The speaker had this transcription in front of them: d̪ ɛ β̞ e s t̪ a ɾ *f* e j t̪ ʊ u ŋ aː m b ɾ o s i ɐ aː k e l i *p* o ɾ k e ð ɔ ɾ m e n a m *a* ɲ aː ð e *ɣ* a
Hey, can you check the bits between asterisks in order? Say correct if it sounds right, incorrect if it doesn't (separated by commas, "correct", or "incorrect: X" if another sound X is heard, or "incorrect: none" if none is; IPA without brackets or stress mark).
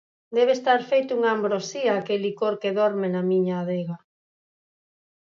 correct, incorrect: k, incorrect: i, correct